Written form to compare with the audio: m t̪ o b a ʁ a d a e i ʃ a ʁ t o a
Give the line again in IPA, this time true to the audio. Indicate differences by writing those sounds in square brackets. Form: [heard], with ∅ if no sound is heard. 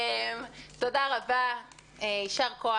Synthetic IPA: m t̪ o [d] a ʁ a [b] a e i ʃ a ʁ [k] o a